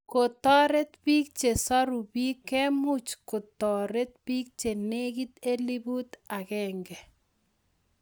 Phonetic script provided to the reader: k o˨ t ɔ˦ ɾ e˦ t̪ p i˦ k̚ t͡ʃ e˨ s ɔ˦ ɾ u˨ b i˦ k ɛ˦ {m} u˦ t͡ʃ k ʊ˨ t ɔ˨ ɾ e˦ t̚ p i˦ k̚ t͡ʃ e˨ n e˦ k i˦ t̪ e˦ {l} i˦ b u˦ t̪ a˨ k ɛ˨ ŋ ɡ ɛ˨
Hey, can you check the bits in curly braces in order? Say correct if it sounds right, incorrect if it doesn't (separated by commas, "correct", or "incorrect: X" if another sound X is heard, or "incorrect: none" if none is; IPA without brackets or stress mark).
correct, correct